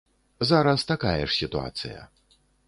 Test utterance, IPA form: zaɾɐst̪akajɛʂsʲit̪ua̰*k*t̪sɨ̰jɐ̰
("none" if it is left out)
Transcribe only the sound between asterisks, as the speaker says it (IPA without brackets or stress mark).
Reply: none